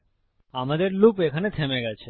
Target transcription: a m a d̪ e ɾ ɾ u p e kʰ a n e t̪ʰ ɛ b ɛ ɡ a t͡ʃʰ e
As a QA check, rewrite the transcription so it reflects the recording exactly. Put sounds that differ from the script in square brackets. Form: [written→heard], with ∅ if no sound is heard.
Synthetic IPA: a m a d̪ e ɾ [ɾ→l] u p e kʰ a n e t̪ʰ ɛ [b→m] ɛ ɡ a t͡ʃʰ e